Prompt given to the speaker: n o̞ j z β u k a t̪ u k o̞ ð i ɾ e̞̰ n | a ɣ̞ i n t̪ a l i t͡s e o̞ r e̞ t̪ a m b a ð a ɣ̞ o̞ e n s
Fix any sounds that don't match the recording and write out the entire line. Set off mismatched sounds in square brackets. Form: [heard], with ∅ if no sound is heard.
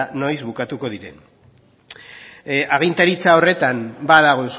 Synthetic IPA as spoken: n o̞ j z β u k a t̪ u k o̞ ð i ɾ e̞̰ n | a ɣ̞ i n t̪ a [ɾ] i t͡s [a] o̞ r e̞ t̪ a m b a ð a ɣ̞ o̞ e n s

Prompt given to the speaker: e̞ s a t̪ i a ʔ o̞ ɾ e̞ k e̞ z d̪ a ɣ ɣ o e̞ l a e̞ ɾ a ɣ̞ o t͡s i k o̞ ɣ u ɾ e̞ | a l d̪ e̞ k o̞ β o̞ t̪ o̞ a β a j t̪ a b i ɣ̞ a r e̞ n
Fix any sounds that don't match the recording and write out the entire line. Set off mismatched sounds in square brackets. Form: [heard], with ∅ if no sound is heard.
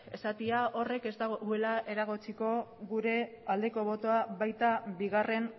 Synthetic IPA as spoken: e̞ s a t̪ i a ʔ o̞ [r] e̞ k e̞ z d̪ a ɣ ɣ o e̞ l a e̞ ɾ a ɣ̞ o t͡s i k o̞ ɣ u ɾ e̞ | a l d̪ e̞ k o̞ β o̞ t̪ o̞ a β a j t̪ a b i ɣ̞ a r e̞ n

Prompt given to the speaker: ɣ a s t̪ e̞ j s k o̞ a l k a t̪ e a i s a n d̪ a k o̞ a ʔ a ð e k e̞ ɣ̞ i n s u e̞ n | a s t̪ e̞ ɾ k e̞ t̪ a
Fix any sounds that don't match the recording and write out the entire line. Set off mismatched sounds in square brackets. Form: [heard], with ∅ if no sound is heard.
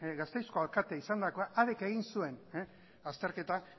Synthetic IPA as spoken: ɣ a s t̪ e̞ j s k o̞ a l k a t̪ e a i s a n d̪ a k o̞ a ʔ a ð e k e̞ ɣ̞ i n s u e̞ n | a s t̪ e̞ ɾ k e̞ t̪ a

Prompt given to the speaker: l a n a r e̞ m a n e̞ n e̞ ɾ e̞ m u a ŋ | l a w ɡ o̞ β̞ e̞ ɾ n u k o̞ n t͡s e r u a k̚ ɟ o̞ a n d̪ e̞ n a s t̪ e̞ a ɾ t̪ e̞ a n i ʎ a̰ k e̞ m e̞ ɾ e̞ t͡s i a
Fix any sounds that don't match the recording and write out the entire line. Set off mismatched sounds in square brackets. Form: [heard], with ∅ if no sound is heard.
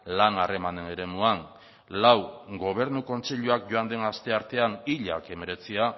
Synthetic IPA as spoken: l a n a r e̞ m a n e̞ n e̞ ɾ e̞ m u a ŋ | l a w ɡ o̞ β̞ e̞ ɾ n u k o̞ n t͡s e [ʎ] u a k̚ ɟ o̞ a n d̪ e̞ n a s t̪ e̞ a ɾ t̪ e̞ a n i ʎ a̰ k e̞ m e̞ ɾ e̞ t͡s i a

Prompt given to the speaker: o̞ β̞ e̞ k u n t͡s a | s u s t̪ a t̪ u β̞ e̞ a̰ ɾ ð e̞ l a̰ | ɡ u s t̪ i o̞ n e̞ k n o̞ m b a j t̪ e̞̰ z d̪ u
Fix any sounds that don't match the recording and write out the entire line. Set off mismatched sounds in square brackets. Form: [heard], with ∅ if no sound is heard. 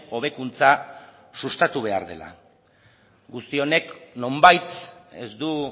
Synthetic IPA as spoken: o̞ β̞ e̞ k u n t͡s a | s u s t̪ a t̪ u β̞ e̞ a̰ ɾ ð e̞ l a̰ | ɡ u s t̪ i o̞ n e̞ k n o̞ m b a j t̪ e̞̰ z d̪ u

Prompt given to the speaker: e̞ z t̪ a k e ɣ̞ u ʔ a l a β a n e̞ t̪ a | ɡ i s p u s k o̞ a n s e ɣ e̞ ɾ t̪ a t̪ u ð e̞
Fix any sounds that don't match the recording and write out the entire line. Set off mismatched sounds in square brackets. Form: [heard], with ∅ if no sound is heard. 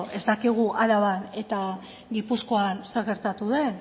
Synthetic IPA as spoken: e̞ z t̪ a k [i] ɣ̞ u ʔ a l a β a n e̞ t̪ a | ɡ i [∅] p u s k o̞ a n s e ɣ e̞ ɾ t̪ a t̪ u ð e̞

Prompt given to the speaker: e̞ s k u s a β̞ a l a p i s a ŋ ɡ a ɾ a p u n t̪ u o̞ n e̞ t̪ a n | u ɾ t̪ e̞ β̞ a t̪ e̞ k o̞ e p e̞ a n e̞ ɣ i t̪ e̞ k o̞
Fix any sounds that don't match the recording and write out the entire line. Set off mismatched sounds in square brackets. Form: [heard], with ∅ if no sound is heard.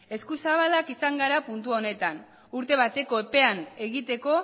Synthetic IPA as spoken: e̞ s k u s a β̞ a l a [k] i s a ŋ ɡ a ɾ a p u n t̪ u o̞ n e̞ t̪ a n | u ɾ t̪ e̞ β̞ a t̪ e̞ k o̞ e p e̞ a n e̞ ɣ i t̪ e̞ k o̞

